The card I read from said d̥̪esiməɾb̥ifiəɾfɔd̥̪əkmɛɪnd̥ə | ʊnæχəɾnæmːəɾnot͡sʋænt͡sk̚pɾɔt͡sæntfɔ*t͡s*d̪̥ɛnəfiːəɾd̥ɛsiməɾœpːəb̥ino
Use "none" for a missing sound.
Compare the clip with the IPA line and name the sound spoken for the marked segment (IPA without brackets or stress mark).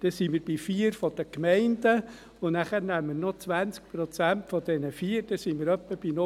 none